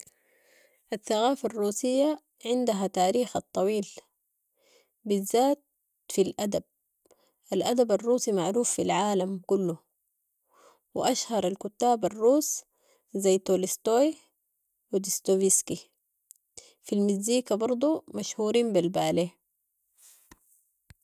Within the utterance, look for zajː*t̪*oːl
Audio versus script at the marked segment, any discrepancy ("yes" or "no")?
no